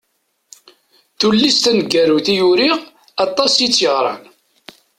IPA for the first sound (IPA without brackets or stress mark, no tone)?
θ